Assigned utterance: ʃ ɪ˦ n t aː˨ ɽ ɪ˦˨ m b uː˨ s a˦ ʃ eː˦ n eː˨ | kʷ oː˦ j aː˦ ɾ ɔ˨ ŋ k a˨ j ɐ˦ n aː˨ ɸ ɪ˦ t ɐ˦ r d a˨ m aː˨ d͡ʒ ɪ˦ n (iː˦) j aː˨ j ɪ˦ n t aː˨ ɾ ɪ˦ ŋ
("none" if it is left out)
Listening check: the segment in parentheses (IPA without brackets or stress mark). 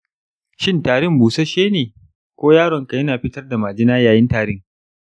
aː˦